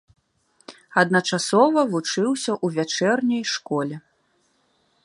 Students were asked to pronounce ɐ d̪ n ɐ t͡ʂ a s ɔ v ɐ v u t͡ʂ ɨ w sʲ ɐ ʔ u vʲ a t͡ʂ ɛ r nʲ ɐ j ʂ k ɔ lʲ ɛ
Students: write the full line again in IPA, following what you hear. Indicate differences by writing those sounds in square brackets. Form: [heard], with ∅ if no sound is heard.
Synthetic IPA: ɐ d̪ n ɐ t͡ʂ a s ɔ v ɐ v u t͡ʂ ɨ w sʲ ɐ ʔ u vʲ a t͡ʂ ɛ r nʲ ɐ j ʂ k ɔ lʲ ɛ